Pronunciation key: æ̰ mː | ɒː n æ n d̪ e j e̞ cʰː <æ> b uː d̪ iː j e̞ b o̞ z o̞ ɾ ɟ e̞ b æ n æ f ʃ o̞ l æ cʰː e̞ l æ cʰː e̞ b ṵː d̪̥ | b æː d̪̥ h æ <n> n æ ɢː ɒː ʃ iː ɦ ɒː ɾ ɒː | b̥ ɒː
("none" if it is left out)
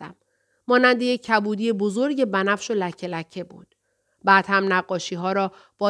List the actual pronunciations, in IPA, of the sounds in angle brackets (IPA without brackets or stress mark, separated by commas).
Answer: æ, m